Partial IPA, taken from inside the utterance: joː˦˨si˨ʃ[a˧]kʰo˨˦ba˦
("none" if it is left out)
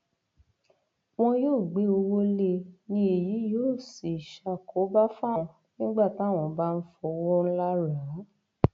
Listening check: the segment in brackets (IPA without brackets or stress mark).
a˧